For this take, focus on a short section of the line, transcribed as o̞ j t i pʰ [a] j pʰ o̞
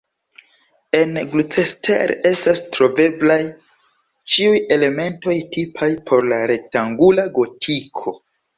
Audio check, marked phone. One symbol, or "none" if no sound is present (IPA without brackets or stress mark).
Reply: a